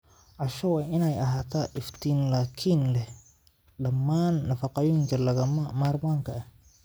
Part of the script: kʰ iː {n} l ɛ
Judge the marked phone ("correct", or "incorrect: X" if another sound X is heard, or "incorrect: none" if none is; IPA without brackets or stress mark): correct